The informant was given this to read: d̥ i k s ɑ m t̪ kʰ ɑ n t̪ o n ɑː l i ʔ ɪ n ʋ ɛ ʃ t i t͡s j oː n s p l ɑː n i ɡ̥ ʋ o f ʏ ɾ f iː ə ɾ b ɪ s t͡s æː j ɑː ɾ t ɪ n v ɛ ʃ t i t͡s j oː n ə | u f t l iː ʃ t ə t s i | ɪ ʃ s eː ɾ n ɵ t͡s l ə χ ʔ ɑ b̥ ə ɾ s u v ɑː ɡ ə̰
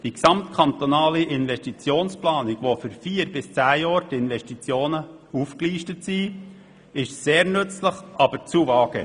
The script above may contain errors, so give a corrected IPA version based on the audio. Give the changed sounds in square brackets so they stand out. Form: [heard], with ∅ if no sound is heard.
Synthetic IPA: d̥ i k s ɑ m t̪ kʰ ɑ n t̪ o n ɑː l i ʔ ɪ n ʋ ɛ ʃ t i t͡s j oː n s p l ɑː n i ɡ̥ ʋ o f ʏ ɾ f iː ə ɾ b ɪ s t͡s æː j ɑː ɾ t ɪ n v ɛ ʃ t i t͡s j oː n ə | u f [k] l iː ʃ t ə t s i | ɪ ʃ s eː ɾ n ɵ t͡s l ə χ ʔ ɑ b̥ ə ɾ [t͡s] u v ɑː ɡ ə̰